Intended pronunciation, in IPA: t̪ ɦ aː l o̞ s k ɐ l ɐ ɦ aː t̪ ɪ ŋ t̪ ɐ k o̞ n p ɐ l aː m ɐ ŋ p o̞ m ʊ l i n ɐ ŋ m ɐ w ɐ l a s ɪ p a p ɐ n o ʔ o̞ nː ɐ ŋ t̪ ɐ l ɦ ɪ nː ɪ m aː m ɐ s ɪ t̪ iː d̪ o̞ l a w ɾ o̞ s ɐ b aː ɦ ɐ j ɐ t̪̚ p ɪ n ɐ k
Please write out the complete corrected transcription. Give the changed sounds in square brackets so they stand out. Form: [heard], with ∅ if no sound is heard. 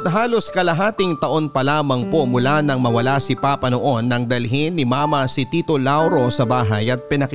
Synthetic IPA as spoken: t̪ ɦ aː l o̞ s k ɐ l ɐ ɦ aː t̪ ɪ ŋ t̪ ɐ [ʔ] o̞ n p ɐ l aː m ɐ ŋ p o̞ m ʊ l [a] n ɐ ŋ m ɐ w ɐ l a s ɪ p a p ɐ n o ʔ o̞ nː ɐ ŋ [d̪] ɐ l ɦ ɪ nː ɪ m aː m ɐ s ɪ t̪ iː [t̪] o̞ l a w ɾ o̞ s ɐ b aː ɦ ɐ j ɐ t̪̚ p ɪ n ɐ k